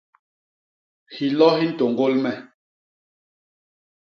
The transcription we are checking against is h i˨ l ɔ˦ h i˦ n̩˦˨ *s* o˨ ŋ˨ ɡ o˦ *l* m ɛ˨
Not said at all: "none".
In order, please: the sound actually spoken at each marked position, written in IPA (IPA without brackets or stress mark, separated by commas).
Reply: t, l